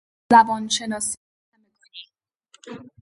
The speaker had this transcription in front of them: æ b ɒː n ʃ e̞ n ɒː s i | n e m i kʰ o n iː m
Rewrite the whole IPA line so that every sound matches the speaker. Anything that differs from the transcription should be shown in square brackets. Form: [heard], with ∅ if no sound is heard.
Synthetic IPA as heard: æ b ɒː n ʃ e̞ n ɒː s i | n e m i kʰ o n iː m